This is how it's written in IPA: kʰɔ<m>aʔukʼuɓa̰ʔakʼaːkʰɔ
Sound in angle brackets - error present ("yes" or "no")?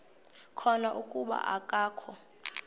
yes